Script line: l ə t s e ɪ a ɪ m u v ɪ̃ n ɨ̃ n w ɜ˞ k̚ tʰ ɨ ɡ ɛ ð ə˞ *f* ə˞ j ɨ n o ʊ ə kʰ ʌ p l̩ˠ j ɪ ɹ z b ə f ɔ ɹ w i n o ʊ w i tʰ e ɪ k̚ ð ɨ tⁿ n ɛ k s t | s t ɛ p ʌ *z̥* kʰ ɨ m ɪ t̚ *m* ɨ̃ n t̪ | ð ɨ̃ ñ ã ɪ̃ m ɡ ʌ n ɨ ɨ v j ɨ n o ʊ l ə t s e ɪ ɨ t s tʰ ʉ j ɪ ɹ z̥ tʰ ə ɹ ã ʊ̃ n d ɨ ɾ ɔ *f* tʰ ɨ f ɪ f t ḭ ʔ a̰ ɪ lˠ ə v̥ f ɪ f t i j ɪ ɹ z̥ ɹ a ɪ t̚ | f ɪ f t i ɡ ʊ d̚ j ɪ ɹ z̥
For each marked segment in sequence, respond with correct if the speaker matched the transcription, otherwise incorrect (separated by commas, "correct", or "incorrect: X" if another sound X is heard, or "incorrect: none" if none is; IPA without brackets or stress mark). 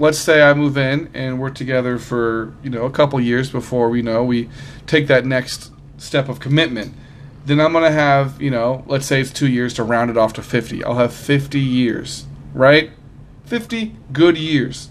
correct, incorrect: v̥, correct, correct